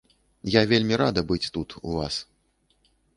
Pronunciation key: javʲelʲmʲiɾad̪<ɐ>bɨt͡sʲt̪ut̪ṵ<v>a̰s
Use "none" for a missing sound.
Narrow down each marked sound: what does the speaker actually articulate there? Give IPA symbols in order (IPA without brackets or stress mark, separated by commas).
ɐ, v